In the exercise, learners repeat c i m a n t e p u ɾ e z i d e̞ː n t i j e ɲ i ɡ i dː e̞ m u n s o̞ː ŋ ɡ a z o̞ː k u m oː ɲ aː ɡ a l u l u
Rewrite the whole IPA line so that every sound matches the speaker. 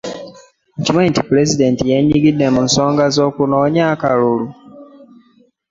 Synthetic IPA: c i m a n t i p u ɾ e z i d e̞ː n t i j e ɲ i ɡ i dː e̞ m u n s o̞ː ŋ ɡ a z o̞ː k u n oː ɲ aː k a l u l u